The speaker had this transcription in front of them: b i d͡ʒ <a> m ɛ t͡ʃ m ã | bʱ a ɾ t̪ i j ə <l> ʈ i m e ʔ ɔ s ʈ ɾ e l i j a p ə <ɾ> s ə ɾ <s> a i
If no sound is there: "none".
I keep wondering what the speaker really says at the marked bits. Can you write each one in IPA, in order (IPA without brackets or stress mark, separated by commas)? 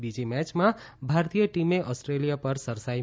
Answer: i, none, ɾ, s